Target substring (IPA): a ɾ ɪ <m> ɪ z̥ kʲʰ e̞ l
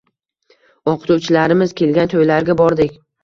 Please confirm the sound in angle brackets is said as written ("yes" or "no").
yes